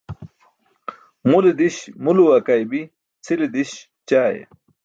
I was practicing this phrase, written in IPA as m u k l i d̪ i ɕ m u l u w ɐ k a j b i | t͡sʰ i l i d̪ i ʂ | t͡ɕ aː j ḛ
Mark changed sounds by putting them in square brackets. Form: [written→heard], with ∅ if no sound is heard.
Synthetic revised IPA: m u [k→∅] l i d̪ i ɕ m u l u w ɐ k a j b i | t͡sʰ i l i d̪ i [ʂ→ɕ] | t͡ɕ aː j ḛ